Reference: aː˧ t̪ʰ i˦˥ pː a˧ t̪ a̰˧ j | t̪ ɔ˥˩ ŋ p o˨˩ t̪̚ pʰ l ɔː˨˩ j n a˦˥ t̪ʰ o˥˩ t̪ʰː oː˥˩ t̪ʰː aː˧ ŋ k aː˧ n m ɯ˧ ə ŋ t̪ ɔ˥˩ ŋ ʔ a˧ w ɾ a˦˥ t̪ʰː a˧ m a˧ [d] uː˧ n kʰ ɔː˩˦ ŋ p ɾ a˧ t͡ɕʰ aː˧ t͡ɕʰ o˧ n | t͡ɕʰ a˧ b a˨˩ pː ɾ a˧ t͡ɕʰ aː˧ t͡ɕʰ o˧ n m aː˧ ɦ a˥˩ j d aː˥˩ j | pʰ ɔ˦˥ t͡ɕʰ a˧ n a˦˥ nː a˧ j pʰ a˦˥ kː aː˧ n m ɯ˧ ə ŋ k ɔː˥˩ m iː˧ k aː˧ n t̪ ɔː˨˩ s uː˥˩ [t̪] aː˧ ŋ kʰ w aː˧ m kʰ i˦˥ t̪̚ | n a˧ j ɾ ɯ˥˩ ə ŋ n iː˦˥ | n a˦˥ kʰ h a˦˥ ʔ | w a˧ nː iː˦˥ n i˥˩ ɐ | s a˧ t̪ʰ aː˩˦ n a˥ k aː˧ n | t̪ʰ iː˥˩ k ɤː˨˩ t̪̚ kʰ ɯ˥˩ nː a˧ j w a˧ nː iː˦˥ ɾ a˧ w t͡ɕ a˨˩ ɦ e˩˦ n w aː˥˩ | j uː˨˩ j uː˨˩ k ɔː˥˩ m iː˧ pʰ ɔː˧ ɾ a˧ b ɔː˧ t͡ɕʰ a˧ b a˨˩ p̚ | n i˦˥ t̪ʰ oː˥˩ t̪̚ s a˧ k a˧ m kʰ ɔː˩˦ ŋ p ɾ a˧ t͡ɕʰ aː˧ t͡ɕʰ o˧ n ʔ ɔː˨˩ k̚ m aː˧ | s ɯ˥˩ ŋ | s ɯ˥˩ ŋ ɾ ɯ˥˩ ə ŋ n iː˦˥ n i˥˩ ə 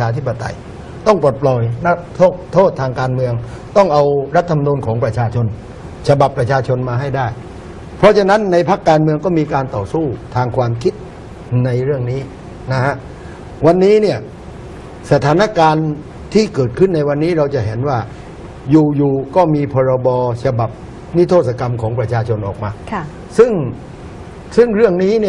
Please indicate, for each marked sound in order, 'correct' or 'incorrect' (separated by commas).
incorrect, incorrect